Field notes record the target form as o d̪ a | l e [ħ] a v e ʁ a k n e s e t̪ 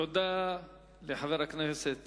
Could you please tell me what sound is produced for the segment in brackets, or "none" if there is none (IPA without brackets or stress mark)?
ħ